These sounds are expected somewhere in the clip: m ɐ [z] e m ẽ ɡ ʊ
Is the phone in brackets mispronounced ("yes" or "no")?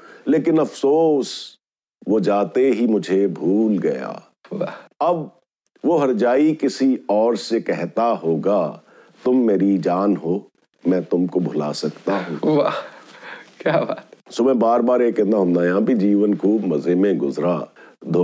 no